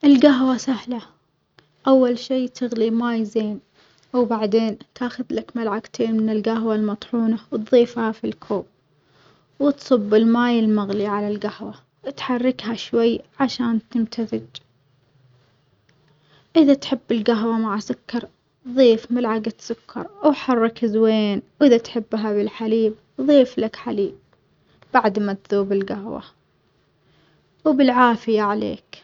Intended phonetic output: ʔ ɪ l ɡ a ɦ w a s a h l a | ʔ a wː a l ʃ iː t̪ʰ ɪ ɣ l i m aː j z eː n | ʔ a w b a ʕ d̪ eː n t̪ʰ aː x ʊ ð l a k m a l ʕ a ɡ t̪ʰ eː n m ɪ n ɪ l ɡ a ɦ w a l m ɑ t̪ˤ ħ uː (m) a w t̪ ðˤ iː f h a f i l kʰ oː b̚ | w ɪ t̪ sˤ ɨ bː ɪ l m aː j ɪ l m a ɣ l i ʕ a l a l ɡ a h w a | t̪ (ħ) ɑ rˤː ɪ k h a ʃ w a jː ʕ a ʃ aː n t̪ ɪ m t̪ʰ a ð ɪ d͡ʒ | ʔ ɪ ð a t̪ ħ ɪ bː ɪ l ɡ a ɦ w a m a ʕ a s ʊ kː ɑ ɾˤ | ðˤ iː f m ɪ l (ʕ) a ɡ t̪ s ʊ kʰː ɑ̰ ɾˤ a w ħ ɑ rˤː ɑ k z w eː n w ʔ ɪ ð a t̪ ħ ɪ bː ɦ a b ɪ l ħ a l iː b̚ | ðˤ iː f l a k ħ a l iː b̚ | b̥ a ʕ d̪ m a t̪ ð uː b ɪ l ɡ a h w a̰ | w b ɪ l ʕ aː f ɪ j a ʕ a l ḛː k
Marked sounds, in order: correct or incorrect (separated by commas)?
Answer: incorrect, correct, correct